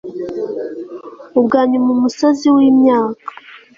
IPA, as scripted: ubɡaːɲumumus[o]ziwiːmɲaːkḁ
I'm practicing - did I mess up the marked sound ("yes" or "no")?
no